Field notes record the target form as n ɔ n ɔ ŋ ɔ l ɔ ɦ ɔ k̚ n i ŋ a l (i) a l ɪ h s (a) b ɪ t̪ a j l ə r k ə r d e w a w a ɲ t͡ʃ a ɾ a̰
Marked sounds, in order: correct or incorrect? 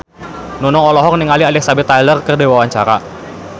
correct, correct

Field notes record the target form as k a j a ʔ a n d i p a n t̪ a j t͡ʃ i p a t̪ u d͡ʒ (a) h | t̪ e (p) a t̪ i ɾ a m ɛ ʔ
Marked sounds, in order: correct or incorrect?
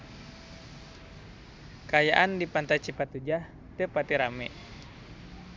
correct, correct

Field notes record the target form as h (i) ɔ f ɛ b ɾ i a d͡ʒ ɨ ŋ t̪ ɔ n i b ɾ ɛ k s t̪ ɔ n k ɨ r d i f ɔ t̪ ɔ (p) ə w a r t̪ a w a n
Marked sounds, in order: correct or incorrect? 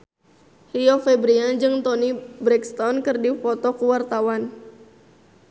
correct, incorrect

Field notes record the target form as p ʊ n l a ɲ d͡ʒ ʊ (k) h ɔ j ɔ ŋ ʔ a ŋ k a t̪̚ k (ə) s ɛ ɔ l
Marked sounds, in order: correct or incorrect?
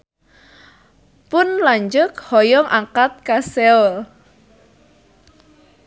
correct, incorrect

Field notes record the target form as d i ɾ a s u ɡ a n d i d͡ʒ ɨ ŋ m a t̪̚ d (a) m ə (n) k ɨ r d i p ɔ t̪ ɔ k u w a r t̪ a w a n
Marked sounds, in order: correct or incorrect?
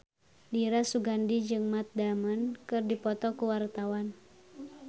correct, correct

